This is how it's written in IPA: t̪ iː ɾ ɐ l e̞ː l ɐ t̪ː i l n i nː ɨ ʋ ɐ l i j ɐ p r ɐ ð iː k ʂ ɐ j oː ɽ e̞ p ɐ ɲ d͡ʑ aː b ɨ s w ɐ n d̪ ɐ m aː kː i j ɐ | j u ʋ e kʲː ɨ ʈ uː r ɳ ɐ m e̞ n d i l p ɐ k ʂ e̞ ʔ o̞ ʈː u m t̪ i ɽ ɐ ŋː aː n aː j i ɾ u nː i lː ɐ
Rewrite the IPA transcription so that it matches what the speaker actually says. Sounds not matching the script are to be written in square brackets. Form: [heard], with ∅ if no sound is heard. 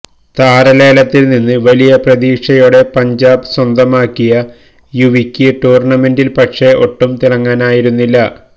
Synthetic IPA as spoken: t̪ [aː] ɾ ɐ l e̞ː l ɐ t̪ː i l n i nː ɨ ʋ ɐ l i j ɐ p r ɐ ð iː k ʂ ɐ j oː ɽ e̞ p ɐ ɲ d͡ʑ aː b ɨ s w ɐ n d̪ ɐ m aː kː i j ɐ | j u ʋ [i] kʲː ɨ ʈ uː r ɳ ɐ m e̞ n d i l p ɐ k ʂ e̞ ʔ o̞ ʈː u m t̪ i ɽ ɐ ŋː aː n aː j i ɾ u nː i lː ɐ